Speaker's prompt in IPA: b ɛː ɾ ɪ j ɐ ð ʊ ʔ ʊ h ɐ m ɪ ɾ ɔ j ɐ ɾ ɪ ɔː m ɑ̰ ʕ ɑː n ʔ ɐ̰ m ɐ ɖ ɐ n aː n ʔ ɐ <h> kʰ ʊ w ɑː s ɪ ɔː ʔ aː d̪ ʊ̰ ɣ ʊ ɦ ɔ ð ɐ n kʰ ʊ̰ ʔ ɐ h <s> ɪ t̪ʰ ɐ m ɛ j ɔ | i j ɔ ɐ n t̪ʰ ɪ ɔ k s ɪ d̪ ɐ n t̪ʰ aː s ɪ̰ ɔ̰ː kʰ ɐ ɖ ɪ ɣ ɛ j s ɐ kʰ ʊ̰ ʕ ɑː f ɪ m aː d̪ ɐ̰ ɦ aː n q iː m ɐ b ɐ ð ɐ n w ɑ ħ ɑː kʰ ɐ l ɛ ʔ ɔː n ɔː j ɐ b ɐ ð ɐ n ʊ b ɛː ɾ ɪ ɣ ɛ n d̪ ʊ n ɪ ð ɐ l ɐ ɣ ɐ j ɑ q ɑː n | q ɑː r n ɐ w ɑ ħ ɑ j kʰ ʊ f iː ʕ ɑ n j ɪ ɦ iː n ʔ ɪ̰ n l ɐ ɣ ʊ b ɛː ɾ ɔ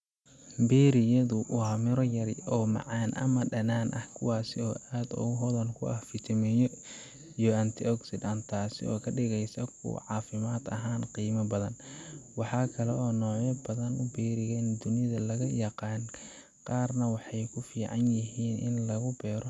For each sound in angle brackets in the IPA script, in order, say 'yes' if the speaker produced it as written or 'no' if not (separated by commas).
yes, no